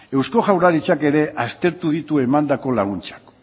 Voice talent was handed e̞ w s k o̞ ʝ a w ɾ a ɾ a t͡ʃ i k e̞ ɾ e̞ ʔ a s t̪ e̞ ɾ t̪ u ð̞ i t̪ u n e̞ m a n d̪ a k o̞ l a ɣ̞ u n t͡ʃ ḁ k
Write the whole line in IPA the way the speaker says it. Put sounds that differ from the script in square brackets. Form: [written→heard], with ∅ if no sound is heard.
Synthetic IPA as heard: e̞ w s k o̞ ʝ a w ɾ a ɾ [a→i] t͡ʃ [i→a] k e̞ ɾ e̞ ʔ a s t̪ e̞ ɾ t̪ u ð̞ i t̪ u [n→∅] e̞ m a n d̪ a k o̞ l a ɣ̞ u n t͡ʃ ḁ k